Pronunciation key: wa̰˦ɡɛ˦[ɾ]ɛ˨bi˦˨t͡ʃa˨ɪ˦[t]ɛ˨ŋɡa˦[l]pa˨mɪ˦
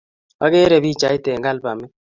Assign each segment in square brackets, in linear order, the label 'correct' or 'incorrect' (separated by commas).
correct, correct, correct